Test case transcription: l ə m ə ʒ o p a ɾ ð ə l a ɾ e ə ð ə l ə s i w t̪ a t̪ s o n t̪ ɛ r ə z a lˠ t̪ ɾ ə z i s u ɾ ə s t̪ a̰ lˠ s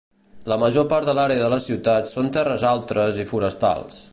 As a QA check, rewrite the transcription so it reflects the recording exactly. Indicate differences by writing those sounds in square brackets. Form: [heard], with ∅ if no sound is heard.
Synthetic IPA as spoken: l ə m ə ʒ o p a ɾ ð ə l a ɾ e ə ð ə l ə s i w t̪ a t̪ s o n t̪ ɛ r ə z a lˠ t̪ ɾ ə z i [f] u ɾ ə s t̪ a̰ lˠ s